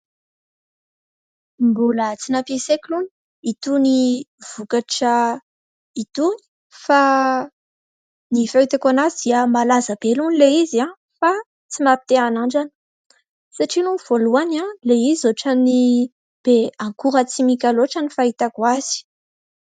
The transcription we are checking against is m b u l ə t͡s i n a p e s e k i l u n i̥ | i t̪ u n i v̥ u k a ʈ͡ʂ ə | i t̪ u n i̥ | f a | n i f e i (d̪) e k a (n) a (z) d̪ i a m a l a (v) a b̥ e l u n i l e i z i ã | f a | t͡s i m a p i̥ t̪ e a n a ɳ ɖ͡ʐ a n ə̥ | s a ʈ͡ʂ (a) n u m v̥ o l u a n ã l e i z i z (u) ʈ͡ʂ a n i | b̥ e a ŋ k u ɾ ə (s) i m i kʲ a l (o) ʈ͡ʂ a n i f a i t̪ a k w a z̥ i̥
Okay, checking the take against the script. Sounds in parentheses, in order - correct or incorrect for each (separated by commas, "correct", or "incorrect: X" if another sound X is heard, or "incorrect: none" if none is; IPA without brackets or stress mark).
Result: incorrect: t̪, correct, correct, incorrect: z, incorrect: i, incorrect: o, incorrect: t͡s, correct